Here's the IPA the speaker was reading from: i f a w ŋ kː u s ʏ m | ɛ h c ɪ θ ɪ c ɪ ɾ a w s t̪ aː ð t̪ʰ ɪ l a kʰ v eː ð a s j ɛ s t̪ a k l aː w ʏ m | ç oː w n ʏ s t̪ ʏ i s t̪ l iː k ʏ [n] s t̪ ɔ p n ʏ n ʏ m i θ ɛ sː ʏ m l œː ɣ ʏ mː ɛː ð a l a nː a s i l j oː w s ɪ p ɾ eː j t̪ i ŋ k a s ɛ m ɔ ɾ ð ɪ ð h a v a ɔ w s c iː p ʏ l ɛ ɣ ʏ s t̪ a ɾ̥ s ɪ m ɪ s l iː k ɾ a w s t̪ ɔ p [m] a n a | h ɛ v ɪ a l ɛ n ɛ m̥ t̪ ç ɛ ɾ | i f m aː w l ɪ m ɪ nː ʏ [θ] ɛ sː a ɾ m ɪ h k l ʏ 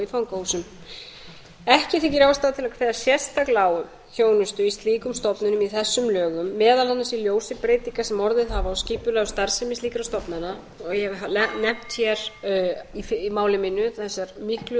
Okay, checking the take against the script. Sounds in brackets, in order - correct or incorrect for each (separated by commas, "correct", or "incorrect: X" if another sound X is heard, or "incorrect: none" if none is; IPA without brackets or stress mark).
incorrect: m, incorrect: n, correct